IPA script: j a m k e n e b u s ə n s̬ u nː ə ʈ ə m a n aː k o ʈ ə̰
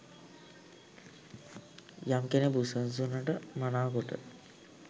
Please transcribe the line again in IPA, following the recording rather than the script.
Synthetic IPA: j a m k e n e b u s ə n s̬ u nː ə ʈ ə m a n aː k o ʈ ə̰